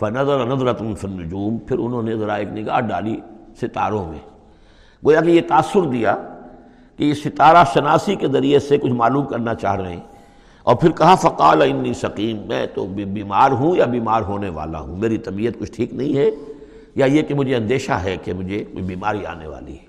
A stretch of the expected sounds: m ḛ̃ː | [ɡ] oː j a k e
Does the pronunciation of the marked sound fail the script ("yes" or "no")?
no